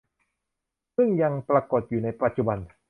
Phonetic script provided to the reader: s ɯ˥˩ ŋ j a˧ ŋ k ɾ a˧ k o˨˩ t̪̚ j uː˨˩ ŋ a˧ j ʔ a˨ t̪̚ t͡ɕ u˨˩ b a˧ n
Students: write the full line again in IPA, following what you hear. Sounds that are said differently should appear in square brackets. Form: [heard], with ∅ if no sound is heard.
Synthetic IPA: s ɯ˥˩ ŋ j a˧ ŋ [p] ɾ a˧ k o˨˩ t̪̚ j uː˨˩ [n] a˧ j [p] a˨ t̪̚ t͡ɕ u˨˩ b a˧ n